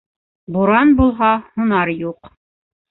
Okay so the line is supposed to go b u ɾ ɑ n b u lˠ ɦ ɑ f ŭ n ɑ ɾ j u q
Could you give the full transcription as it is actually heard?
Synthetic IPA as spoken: b u ɾ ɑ n b u lˠ ɦ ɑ h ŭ n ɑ ɾ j u q